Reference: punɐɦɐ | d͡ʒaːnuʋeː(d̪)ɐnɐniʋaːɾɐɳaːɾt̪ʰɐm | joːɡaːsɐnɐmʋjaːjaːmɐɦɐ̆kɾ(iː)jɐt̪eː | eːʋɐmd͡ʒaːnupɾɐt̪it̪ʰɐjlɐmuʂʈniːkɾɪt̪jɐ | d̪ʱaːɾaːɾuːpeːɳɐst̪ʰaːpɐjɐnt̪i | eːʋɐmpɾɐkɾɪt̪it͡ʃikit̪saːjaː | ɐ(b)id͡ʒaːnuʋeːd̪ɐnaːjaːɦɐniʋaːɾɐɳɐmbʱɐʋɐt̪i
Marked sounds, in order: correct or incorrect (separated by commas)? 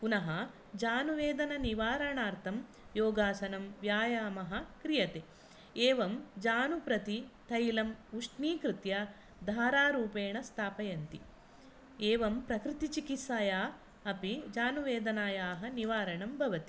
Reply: correct, incorrect, incorrect